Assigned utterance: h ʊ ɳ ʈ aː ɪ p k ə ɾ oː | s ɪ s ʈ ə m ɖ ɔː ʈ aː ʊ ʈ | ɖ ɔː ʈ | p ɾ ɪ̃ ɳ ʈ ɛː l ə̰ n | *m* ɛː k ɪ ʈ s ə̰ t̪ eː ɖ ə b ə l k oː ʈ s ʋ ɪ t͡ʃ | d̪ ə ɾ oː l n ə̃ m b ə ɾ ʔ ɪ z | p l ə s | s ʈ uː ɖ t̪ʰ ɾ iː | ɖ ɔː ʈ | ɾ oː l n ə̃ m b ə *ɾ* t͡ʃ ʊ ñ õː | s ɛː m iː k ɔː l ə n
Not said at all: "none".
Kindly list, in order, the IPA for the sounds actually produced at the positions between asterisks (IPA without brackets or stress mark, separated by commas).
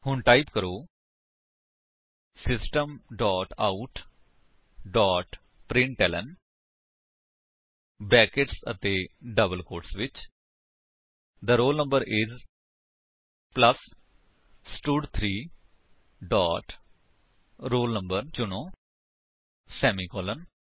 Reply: b, ɾ